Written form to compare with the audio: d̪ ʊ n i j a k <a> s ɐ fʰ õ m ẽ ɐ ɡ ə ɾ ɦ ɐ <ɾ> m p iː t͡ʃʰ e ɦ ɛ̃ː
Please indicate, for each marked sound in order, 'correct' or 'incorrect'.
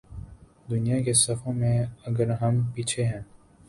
incorrect: e, incorrect: none

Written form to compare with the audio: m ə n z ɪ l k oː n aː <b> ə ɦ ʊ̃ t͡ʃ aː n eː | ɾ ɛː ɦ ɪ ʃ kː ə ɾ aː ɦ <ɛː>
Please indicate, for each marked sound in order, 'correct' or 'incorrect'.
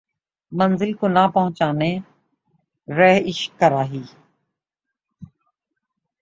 incorrect: p, incorrect: iː

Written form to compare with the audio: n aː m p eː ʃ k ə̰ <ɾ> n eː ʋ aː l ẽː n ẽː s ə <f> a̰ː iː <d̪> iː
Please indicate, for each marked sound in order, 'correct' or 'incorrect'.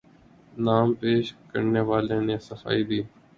correct, correct, correct

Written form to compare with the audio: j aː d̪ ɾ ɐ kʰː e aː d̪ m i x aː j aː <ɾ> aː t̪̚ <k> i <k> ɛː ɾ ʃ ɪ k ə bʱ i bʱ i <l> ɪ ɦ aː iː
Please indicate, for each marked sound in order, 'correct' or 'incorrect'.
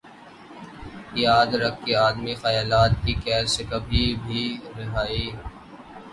incorrect: l, correct, correct, incorrect: ɾ

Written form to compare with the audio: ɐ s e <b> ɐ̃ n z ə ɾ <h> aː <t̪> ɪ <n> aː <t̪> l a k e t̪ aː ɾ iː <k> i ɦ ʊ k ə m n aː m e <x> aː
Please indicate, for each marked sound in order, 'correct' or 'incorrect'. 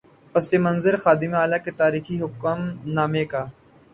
incorrect: m, incorrect: x, incorrect: d̪, incorrect: m, incorrect: none, incorrect: x, incorrect: k

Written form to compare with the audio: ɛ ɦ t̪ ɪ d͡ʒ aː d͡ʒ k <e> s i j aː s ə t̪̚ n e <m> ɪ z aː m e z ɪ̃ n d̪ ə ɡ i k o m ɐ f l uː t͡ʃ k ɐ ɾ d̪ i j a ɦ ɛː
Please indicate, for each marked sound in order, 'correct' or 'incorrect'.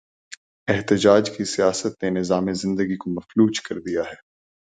incorrect: i, incorrect: n

